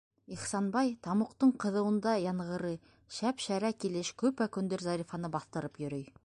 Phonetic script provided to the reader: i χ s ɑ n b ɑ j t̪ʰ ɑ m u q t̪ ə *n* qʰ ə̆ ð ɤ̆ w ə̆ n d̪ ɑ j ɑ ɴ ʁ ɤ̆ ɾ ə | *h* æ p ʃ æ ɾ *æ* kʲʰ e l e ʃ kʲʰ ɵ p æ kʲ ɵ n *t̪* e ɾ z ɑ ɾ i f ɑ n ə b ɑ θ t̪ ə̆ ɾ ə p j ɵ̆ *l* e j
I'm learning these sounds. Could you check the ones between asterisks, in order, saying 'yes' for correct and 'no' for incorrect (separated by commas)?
no, no, yes, no, no